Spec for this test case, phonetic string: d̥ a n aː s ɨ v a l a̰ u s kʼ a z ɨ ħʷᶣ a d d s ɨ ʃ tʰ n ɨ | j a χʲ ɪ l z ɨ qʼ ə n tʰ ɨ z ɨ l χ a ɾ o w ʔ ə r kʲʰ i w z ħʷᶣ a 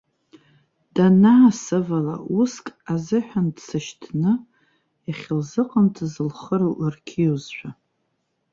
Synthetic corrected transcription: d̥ a n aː s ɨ v a l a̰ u s kʼ a z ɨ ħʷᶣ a n d s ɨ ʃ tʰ n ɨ | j a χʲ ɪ l z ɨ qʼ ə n tʰ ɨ z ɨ l χ ə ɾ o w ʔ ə r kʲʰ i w z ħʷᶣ a